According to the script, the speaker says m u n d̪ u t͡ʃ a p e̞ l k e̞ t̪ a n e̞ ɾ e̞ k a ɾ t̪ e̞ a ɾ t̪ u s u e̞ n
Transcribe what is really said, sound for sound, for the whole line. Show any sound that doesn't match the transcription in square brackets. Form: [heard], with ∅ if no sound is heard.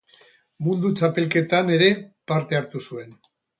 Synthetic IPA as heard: m u n d̪ u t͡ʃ a p e̞ l k e̞ t̪ a n e̞ ɾ e̞ [p] a ɾ t̪ e̞ a ɾ t̪ u s u e̞ n